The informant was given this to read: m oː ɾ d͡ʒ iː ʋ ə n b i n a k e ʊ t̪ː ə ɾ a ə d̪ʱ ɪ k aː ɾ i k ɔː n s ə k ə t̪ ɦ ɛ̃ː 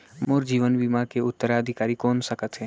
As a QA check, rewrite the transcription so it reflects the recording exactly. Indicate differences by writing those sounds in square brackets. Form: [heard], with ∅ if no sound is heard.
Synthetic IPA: m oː ɾ d͡ʒ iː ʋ ə n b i [m] a k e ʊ t̪ː ə ɾ a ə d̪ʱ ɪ k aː ɾ i k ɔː n s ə k ə t̪ ɦ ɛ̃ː